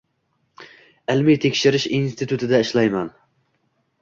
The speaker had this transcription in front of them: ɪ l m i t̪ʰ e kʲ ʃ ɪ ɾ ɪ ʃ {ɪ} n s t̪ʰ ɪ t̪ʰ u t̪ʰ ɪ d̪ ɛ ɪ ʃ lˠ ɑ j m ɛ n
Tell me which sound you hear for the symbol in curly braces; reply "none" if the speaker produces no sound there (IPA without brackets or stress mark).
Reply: i